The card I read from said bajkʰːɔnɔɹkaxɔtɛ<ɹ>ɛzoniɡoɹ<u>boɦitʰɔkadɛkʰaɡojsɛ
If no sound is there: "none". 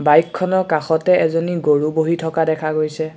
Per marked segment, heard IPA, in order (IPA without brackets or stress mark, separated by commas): none, u